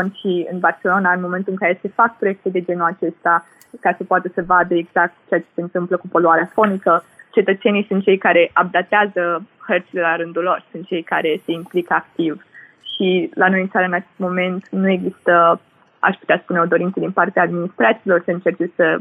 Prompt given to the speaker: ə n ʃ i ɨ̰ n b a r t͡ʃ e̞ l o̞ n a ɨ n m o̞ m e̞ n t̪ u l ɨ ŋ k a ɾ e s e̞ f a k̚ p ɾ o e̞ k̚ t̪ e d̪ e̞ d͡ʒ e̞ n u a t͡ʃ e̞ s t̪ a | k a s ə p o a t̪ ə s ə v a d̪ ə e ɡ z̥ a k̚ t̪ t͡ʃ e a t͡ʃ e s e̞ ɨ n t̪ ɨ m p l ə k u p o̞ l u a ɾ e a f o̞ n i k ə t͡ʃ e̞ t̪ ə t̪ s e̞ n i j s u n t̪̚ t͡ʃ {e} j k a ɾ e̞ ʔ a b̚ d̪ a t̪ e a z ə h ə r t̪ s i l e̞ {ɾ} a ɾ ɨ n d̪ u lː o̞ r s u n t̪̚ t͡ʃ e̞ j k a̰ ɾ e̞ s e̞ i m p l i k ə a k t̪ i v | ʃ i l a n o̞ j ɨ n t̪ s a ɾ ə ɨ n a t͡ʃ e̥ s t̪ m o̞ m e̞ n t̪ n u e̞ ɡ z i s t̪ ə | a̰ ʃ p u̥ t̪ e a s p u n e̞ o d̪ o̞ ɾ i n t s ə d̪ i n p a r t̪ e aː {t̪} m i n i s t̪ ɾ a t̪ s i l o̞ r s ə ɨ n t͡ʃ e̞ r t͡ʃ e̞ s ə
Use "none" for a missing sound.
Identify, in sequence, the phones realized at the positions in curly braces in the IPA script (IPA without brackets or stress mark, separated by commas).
e, l, d̪